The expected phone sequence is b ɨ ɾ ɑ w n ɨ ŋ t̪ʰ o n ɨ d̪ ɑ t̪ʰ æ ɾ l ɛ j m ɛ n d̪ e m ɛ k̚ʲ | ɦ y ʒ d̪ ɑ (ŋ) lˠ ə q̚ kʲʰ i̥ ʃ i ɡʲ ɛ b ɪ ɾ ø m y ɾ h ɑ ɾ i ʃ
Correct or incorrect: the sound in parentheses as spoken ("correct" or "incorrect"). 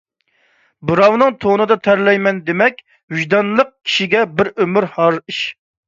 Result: incorrect